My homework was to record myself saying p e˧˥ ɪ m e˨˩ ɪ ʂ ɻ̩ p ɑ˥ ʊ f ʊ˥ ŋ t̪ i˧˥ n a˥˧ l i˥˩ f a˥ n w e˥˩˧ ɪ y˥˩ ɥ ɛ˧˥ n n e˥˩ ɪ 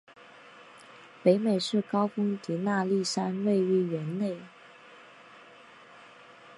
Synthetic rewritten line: p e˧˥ ɪ m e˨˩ ɪ ʂ ɻ̩ k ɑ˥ ʊ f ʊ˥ ŋ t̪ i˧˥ n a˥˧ l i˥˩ ʂ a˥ n w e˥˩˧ ɪ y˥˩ ɥ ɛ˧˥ n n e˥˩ ɪ